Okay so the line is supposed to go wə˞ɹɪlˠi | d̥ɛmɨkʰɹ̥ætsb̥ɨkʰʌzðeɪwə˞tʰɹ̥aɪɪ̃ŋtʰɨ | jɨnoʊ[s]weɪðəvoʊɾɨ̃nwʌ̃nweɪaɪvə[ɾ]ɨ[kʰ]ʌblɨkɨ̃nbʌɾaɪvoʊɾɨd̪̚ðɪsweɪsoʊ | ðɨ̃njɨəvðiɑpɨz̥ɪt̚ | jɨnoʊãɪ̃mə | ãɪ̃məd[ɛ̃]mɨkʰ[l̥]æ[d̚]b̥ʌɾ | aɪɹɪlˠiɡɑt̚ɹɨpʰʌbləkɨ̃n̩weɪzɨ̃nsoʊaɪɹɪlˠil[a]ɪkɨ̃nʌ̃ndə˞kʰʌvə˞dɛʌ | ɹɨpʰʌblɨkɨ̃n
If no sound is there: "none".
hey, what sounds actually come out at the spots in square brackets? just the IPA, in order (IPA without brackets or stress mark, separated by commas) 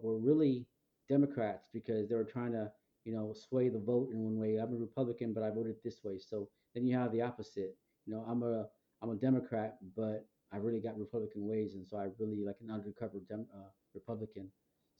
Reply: s, ɹ, pʰ, ɛ, ɹ̥, t̚, a